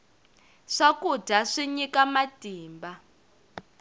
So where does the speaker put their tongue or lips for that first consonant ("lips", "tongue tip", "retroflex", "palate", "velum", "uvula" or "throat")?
retroflex